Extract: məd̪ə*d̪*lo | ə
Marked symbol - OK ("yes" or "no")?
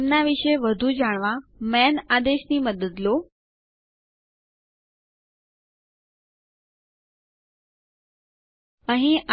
yes